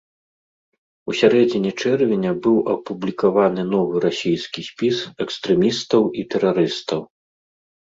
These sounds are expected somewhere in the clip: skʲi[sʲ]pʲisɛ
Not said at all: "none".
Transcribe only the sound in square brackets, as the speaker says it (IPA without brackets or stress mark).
sʲ